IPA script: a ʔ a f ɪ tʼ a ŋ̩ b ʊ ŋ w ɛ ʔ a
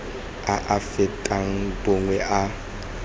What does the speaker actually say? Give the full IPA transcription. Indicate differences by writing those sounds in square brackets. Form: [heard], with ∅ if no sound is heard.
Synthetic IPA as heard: a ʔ a f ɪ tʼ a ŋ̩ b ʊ ŋ w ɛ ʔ a